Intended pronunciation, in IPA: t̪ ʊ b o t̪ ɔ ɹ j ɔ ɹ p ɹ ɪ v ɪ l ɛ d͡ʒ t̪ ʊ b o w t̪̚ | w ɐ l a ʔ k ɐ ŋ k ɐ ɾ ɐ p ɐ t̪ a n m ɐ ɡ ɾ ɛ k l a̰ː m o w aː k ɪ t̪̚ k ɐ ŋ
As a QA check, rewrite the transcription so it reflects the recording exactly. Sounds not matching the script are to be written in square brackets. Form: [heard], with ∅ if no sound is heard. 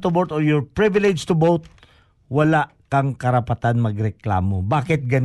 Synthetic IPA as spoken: t̪ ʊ b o t̪ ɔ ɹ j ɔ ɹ p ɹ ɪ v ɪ l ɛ d͡ʒ t̪ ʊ b o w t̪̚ | w ɐ l a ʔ k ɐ ŋ k ɐ ɾ ɐ p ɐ t̪ a n m ɐ ɡ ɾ ɛ k l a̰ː m o [b] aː k ɪ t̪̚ [ɡ] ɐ [n]